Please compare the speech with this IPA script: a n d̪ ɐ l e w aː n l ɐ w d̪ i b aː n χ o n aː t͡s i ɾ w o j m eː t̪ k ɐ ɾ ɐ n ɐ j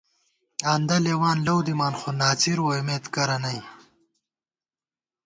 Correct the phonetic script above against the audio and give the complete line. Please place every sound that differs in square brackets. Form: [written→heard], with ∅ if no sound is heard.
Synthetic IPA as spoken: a n d̪ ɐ l e w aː n l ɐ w d̪ i [b→m] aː n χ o n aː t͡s i ɾ w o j m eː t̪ k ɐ ɾ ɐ n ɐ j